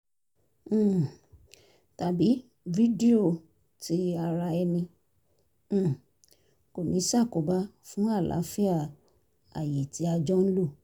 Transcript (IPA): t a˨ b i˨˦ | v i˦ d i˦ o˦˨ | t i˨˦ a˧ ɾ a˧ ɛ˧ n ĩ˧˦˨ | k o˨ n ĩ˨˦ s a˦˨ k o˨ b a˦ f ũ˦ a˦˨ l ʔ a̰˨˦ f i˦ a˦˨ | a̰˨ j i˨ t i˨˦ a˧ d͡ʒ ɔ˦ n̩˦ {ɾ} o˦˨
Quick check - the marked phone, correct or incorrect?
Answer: incorrect: l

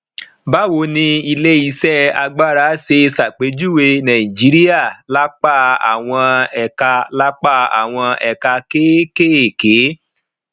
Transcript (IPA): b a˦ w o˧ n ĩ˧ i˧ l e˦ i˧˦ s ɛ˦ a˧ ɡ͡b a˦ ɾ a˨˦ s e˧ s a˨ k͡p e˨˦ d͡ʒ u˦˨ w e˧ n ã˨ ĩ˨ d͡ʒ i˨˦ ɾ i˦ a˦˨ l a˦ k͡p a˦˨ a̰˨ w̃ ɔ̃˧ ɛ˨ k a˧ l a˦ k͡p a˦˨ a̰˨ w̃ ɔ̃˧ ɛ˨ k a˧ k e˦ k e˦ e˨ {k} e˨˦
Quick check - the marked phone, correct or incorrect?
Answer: correct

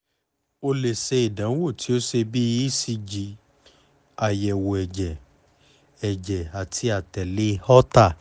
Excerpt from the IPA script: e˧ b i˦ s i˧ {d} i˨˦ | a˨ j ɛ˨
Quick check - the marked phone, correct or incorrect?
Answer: incorrect: d͡ʒ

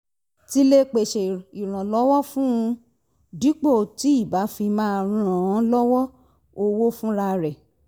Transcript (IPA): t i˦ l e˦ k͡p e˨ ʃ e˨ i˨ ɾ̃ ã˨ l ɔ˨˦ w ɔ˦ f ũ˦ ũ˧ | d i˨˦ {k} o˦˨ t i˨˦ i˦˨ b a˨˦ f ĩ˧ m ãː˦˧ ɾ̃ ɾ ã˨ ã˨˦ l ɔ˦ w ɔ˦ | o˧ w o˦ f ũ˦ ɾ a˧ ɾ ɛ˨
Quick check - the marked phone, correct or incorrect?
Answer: incorrect: k͡p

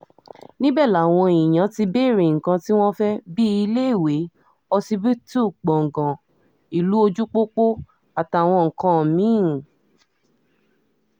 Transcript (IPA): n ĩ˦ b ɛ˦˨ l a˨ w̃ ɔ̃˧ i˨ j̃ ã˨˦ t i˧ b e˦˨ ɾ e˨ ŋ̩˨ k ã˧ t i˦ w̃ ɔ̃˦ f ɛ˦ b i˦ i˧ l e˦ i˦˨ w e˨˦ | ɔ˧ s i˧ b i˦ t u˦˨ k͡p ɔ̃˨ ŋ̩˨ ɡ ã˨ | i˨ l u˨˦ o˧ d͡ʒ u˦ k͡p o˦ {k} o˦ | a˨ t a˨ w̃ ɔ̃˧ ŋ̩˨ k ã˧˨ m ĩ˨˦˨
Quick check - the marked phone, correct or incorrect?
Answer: incorrect: k͡p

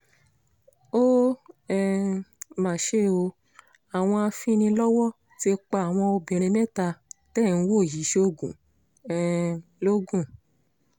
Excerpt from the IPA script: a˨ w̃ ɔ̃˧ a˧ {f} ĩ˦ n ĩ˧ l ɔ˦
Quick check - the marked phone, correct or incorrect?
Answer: correct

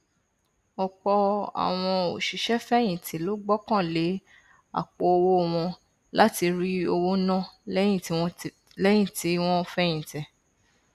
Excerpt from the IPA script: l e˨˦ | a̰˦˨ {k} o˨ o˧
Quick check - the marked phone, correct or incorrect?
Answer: incorrect: k͡p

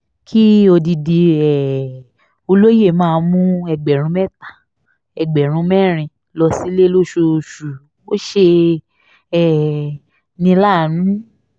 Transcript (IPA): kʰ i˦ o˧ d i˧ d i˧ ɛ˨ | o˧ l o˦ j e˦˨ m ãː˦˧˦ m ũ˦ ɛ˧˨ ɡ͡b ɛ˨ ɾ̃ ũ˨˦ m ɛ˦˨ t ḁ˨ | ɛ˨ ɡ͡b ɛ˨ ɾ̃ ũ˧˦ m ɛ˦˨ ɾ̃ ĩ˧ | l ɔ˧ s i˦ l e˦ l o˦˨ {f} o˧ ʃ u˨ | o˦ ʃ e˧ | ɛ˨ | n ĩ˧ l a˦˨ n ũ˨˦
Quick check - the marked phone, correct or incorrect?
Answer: incorrect: ʃ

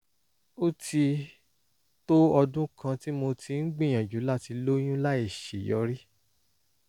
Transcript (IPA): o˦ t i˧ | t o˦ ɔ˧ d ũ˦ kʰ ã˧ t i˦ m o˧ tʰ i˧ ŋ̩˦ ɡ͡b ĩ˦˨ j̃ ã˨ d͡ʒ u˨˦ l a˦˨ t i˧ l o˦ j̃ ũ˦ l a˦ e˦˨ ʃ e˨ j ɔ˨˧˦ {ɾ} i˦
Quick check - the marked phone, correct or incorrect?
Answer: correct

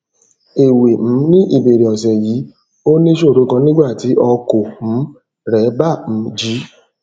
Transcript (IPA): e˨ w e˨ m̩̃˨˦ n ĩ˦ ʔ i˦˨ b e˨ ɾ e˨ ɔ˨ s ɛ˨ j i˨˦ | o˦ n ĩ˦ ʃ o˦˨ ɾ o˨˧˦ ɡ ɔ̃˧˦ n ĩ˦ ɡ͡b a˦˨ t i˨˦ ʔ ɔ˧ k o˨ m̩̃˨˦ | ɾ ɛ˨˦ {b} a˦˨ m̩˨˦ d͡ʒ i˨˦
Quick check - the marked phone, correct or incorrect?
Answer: correct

